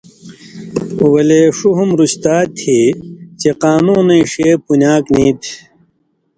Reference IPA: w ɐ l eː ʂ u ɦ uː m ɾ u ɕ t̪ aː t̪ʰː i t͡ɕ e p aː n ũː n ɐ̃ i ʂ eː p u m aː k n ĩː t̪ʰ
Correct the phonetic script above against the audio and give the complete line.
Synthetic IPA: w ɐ l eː ʂ u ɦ u m ɾ u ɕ t̪ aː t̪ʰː i t͡ɕ e q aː n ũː n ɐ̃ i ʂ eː p u n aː k n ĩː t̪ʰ